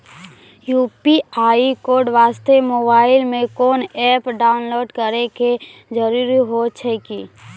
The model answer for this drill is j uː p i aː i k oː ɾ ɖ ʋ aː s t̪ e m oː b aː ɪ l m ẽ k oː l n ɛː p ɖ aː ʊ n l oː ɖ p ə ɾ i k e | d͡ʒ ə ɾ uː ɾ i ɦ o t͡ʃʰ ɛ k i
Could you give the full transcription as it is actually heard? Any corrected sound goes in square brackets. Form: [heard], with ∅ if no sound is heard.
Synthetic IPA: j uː p i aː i k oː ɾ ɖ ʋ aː s t̪ e m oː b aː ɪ l m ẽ k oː [∅] n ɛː p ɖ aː ʊ n l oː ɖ [k] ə ɾ [e] k e | d͡ʒ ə ɾ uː ɾ i ɦ o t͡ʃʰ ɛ k i